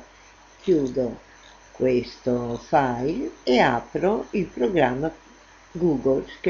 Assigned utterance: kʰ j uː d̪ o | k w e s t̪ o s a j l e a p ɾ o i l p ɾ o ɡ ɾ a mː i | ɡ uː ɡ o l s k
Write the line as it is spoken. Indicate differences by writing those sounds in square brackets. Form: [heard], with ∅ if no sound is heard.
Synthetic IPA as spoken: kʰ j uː d̪ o | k w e s t̪ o [f] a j l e a p ɾ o i l p ɾ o ɡ ɾ a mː [a] | ɡ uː ɡ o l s k

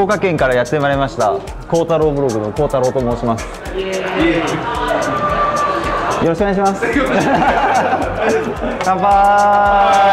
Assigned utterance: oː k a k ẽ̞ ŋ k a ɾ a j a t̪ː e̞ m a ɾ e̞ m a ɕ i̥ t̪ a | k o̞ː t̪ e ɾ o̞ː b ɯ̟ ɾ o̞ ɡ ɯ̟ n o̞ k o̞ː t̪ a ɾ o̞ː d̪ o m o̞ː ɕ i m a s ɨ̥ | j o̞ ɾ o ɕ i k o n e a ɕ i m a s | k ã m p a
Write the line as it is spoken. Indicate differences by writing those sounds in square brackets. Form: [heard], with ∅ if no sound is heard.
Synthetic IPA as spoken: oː k a k ẽ̞ ŋ k a ɾ a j a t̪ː e̞ m a ɾ e̞ m a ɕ i̥ t̪ a | k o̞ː t̪ [a] ɾ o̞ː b ɯ̟ ɾ o̞ ɡ ɯ̟ n o̞ k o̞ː t̪ a ɾ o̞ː [t̪] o m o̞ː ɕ i m a s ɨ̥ | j o̞ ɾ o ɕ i k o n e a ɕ i m a s | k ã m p a

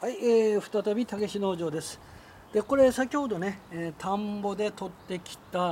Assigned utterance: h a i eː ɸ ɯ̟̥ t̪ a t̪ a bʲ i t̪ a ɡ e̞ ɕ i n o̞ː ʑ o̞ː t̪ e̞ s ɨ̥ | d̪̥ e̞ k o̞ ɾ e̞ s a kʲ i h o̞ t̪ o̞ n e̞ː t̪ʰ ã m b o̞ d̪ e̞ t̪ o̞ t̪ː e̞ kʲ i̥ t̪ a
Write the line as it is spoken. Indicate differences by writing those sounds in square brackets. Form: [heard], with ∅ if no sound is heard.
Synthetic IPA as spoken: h a i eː ɸ ɯ̟̥ t̪ a t̪ a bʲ i t̪ a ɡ e̞ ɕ i n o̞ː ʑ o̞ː [d̪] e̞ s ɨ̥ | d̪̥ e̞ k o̞ ɾ e̞ s a kʲ i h o̞ [d̪] o̞ n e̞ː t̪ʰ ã m b o̞ d̪ e̞ t̪ o̞ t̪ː e̞ kʲ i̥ t̪ a

